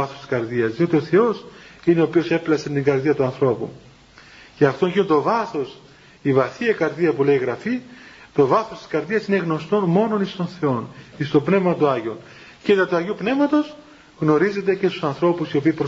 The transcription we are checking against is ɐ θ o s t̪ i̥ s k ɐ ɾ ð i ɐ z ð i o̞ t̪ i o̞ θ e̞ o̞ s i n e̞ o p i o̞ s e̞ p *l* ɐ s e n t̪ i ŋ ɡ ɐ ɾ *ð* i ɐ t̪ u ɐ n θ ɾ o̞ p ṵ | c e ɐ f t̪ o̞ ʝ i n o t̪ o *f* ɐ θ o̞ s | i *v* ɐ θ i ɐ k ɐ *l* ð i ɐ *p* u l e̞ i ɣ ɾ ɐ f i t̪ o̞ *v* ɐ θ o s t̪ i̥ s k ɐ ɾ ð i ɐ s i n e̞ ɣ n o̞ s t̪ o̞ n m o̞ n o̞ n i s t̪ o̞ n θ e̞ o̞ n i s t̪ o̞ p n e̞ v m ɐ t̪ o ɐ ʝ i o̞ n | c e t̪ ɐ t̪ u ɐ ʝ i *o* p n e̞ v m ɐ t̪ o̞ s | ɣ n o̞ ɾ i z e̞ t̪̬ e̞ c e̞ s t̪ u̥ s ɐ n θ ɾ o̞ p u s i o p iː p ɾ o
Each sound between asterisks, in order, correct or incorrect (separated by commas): correct, correct, incorrect, correct, incorrect, correct, correct, incorrect